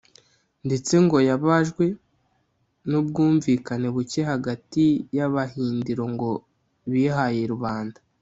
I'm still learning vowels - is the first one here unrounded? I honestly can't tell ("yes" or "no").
yes